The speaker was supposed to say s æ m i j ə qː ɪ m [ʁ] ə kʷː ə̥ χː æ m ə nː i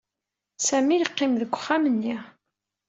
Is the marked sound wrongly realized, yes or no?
yes